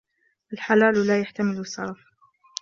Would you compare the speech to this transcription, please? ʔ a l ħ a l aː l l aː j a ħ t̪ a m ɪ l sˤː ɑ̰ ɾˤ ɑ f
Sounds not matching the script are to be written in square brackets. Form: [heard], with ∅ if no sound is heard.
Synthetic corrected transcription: ʔ a l ħ a l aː l l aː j a ħ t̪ a m ɪ l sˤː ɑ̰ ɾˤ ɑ f